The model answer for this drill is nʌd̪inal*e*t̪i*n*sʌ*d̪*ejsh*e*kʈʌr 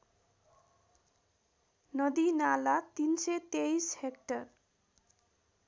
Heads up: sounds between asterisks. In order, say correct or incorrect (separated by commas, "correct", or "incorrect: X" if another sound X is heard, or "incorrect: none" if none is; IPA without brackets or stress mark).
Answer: incorrect: a, correct, incorrect: t̪, correct